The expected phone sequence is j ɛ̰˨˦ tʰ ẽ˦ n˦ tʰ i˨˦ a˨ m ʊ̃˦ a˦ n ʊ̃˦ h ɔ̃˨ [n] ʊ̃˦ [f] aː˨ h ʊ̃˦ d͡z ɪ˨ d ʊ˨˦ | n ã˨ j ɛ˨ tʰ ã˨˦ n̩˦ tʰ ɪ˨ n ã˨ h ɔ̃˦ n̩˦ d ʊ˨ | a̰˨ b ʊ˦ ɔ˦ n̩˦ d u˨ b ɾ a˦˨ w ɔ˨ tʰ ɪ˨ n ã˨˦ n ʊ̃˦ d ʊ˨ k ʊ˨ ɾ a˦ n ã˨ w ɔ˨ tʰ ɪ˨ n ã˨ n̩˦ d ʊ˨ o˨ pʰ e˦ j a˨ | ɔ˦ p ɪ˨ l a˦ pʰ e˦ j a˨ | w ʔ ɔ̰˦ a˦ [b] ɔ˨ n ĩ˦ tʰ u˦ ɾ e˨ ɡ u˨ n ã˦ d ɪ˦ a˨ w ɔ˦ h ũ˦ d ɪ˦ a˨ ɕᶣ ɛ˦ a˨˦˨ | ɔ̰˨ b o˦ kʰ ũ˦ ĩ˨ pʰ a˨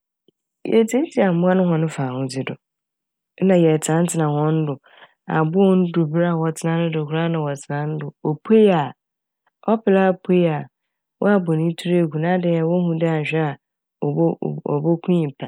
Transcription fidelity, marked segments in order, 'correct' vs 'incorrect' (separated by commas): correct, correct, correct